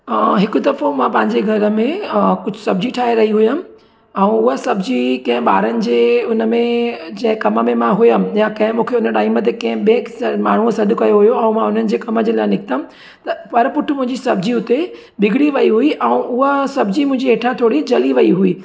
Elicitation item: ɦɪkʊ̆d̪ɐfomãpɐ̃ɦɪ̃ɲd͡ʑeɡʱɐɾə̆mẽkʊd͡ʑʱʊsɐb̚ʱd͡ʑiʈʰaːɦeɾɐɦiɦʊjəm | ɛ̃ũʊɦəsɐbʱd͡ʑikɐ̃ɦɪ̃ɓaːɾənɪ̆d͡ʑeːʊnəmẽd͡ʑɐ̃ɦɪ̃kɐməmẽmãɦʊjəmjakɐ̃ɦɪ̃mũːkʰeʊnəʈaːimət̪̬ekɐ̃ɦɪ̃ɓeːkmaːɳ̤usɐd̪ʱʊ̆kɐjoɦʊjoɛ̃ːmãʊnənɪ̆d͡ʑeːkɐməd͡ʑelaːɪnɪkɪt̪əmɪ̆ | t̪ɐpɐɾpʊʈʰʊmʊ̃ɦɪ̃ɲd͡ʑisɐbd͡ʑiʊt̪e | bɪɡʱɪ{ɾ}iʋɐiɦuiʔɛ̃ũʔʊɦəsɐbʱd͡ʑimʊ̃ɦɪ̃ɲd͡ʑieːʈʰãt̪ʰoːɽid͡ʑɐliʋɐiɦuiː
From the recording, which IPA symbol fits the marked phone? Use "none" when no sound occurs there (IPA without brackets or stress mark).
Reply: ɽ